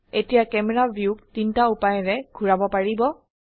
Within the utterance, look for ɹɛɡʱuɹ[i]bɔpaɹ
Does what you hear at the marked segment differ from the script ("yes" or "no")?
yes